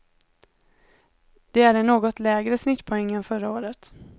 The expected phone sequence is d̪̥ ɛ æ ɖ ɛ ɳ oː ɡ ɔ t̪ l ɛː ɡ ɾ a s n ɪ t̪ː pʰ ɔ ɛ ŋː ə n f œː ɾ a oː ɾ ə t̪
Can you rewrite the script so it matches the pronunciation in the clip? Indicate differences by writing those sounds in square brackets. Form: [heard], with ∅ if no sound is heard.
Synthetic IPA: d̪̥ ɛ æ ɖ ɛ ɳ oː ɡ ɔ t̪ l ɛː ɡ ɾ [ə] s n ɪ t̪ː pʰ ɔ ɛ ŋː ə n f [œ] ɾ a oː ɾ ə t̪